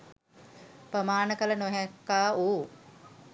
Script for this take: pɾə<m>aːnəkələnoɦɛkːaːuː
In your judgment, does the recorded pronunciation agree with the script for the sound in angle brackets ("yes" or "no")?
yes